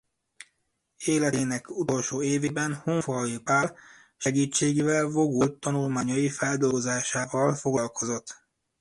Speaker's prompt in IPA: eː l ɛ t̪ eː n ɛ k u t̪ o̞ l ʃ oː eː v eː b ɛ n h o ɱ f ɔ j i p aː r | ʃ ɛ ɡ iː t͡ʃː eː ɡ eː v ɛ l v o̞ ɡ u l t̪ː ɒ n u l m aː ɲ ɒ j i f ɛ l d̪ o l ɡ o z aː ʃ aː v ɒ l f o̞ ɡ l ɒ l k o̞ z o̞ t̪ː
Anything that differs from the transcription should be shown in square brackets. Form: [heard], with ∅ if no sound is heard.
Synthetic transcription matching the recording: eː l ɛ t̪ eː n ɛ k u t̪ o̞ l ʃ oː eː v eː b ɛ n h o ɱ f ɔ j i p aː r | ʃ ɛ ɡ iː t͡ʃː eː ɡ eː v ɛ l v o̞ ɡ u l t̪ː ɒ n u l m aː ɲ ɒ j i f ɛ l d̪ o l ɡ o z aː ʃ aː v ɒ l f o̞ ɡ l ɒ l k o̞ z o̞ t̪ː